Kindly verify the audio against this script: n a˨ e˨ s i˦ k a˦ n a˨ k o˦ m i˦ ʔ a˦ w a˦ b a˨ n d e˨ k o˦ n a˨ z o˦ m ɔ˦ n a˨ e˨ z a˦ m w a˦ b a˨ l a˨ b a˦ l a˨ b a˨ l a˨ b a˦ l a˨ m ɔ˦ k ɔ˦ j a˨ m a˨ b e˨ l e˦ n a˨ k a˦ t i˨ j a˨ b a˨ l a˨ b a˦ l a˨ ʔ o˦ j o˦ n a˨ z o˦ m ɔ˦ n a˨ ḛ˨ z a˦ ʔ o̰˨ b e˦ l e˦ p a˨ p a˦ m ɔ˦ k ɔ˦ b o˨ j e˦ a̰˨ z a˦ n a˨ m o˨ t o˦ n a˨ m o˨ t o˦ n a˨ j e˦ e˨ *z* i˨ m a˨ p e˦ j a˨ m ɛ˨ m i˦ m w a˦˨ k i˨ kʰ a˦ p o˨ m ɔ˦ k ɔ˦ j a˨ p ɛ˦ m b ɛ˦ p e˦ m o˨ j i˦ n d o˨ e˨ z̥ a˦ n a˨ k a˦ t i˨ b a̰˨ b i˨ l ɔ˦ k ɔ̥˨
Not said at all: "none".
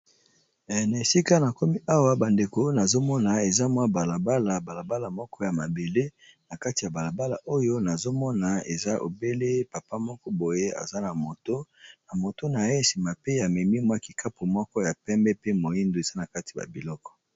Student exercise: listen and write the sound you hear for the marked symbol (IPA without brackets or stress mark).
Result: s